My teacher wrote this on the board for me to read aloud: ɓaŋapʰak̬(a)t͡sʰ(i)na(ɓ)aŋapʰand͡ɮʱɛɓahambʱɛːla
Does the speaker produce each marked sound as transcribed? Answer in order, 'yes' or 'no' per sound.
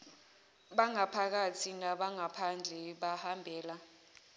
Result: yes, yes, yes

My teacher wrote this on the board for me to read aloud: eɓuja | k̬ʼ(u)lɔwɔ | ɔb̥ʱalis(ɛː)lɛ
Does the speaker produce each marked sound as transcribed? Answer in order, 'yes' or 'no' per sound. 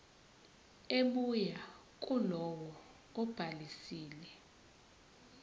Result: yes, no

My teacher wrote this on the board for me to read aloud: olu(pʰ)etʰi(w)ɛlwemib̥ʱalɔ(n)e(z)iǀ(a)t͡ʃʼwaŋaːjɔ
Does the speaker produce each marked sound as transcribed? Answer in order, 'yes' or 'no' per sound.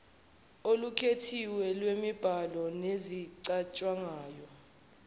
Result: no, yes, yes, yes, yes

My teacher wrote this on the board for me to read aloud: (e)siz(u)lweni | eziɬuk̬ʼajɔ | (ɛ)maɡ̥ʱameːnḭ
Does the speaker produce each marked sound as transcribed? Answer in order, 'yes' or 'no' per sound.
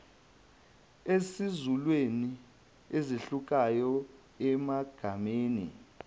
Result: yes, yes, yes

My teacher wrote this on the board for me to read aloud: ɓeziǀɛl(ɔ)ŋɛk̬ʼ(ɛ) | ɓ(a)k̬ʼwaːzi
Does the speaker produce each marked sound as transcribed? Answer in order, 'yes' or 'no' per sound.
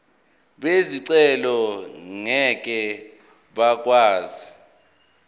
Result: yes, yes, yes

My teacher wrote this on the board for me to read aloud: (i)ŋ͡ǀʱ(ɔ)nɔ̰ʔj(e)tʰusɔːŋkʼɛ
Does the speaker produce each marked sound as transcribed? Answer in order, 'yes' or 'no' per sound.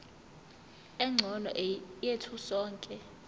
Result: no, yes, yes

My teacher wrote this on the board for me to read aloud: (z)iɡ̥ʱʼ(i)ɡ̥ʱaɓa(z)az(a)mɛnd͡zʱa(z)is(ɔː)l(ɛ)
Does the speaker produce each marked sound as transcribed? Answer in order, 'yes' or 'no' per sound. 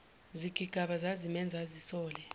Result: yes, yes, yes, no, yes, yes, yes

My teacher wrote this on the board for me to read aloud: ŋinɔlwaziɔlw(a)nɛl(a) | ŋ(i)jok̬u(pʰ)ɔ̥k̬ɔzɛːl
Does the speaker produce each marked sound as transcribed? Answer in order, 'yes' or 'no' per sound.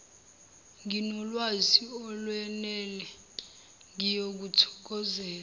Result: no, no, yes, no

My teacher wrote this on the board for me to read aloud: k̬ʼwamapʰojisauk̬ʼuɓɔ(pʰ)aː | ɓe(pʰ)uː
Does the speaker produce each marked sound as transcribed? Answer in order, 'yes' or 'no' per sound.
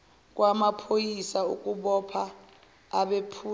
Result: yes, yes

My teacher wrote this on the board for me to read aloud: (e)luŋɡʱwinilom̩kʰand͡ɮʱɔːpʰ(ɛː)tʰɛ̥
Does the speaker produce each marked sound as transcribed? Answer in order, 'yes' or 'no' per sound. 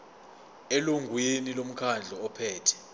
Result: yes, yes

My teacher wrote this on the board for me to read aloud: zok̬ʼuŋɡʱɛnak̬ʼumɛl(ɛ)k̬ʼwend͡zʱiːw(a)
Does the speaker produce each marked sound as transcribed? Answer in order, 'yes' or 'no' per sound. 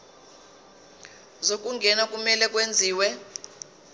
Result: yes, no

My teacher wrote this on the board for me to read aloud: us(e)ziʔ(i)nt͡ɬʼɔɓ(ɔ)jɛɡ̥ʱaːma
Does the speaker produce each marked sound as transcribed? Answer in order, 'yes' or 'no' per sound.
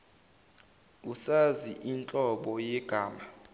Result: no, yes, yes

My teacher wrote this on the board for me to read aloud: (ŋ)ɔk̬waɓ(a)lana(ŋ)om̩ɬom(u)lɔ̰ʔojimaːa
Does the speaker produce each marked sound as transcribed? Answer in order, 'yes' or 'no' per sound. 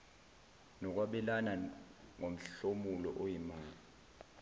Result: no, no, yes, yes

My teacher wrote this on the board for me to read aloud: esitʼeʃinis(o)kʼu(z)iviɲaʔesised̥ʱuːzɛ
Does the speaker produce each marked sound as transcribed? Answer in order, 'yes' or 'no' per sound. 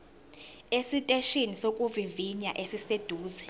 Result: yes, no

